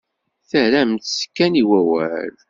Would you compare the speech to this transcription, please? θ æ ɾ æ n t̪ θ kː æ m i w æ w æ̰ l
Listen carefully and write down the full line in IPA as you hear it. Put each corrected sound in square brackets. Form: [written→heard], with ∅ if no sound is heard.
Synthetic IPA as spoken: θ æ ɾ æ [n→m] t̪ [θ→s] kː æ [m→n] i w æ w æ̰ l